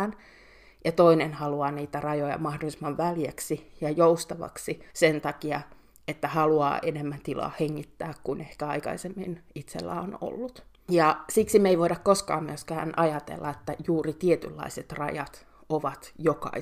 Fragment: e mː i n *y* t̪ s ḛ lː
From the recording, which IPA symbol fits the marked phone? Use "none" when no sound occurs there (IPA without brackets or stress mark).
i